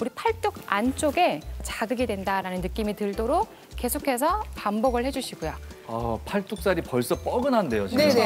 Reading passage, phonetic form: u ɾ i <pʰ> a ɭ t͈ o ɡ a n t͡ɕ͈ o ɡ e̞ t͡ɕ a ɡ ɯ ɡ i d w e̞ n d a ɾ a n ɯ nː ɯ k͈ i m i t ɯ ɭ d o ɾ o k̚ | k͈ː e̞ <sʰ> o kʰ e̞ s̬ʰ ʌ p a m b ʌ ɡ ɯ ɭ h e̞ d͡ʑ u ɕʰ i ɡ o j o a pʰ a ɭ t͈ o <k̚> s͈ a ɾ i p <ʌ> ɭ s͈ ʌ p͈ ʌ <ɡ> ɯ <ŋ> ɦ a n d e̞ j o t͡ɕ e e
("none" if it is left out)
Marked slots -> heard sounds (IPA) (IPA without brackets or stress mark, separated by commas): pʰ, sʰ, k̚, ʌ, ɡ, n